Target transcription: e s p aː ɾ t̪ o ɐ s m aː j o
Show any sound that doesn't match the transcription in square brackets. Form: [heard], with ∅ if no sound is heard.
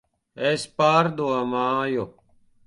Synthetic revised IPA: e s p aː ɾ [d̪] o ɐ [∅] m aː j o